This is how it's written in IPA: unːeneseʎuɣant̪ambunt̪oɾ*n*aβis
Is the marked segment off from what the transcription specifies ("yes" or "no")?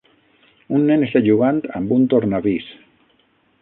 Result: no